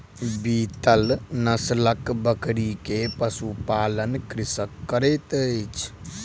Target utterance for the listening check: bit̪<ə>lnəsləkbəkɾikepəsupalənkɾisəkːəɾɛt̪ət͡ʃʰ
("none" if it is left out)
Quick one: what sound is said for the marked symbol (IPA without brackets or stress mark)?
ə